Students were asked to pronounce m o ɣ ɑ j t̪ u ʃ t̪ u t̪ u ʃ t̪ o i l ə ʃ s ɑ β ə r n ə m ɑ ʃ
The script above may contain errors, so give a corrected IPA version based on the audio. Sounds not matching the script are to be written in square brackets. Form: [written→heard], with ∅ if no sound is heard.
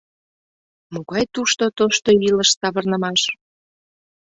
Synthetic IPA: m o ɣ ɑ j t̪ u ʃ t̪ [u→o] t̪ [u→o] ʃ t̪ o i l ə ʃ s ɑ β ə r n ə m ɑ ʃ